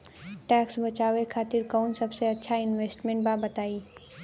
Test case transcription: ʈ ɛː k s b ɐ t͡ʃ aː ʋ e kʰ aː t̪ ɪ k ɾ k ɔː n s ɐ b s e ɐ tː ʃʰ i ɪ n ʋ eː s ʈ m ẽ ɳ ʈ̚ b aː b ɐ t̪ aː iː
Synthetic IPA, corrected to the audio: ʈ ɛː k s b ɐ t͡ʃ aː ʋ e kʰ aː t̪ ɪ ɾ k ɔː n s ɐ b s e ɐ tː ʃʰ a ɪ n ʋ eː s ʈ m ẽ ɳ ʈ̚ b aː b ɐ t̪ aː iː